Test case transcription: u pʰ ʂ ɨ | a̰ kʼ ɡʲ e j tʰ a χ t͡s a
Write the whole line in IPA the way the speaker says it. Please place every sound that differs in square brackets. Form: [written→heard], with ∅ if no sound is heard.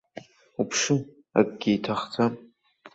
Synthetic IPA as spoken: u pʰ ʂ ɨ | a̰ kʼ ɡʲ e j tʰ a χ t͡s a